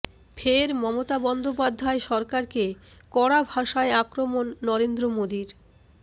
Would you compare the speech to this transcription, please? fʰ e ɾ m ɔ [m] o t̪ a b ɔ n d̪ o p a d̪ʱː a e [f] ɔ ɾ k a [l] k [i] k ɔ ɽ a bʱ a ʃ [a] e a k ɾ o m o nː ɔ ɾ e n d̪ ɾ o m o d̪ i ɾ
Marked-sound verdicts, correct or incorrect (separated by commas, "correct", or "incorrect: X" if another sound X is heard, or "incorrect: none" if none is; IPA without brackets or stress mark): correct, incorrect: ʃ, incorrect: ɾ, incorrect: e, correct